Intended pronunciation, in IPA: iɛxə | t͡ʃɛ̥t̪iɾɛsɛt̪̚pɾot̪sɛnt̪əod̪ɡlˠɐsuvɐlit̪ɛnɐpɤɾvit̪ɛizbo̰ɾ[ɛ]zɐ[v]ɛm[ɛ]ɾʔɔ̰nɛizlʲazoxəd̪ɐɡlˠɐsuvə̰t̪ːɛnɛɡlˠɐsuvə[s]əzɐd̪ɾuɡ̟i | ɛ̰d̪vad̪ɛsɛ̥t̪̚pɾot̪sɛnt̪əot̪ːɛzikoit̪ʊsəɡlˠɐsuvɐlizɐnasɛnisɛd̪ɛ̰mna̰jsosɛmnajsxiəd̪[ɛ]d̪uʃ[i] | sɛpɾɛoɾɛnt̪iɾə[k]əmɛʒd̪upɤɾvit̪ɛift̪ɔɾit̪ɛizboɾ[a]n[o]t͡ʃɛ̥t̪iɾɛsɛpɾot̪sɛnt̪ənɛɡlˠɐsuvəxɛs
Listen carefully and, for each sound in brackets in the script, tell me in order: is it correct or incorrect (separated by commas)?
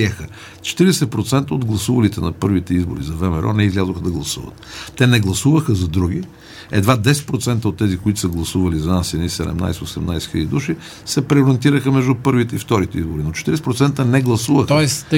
incorrect, correct, correct, incorrect, incorrect, correct, incorrect, incorrect, correct